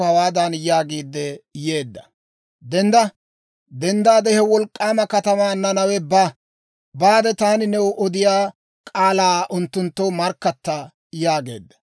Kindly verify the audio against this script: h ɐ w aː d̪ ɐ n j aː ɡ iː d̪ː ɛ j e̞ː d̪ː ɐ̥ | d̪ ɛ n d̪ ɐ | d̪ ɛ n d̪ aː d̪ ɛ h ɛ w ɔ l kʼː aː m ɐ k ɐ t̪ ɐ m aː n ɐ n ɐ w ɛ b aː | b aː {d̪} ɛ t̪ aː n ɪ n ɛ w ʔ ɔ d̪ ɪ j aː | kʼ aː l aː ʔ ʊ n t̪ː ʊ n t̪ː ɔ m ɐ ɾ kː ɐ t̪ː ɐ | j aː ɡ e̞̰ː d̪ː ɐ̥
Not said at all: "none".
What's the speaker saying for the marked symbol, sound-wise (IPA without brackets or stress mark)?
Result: d̪